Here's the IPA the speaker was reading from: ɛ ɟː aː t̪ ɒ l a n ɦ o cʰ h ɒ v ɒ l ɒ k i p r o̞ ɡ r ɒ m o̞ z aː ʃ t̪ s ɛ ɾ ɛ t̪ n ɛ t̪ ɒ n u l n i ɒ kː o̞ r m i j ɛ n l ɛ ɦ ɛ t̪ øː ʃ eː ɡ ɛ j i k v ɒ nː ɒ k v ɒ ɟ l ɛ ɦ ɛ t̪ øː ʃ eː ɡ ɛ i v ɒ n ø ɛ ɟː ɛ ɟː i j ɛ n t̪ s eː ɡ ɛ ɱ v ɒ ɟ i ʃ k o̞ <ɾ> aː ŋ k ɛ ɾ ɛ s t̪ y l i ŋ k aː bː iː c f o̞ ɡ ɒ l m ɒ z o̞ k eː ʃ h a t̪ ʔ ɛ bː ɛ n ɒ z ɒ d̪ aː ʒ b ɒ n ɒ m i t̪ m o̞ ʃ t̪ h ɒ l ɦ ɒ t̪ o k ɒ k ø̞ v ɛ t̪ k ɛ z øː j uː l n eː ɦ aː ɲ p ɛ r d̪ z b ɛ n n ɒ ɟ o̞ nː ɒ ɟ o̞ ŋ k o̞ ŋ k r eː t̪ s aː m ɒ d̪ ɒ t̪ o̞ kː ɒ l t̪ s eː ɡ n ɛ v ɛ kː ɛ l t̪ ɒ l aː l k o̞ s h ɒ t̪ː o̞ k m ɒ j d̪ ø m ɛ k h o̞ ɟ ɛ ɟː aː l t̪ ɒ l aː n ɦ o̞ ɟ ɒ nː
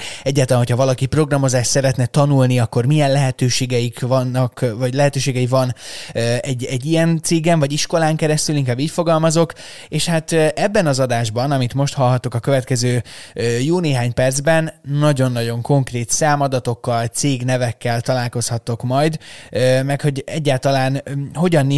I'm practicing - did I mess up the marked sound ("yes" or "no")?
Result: yes